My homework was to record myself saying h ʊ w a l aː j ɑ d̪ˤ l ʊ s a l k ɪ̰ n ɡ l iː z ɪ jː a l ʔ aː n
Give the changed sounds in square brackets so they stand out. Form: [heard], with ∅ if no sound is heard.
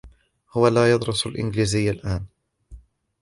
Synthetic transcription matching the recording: h ʊ w a l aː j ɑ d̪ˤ [ɾ] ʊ s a l [ʔ] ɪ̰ n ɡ l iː z ɪ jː a l ʔ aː n